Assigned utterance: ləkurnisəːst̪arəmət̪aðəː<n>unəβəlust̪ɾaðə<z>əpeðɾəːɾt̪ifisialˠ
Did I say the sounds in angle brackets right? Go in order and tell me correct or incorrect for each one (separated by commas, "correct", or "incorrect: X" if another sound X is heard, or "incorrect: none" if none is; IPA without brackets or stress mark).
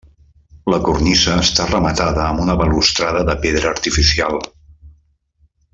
incorrect: m, incorrect: ð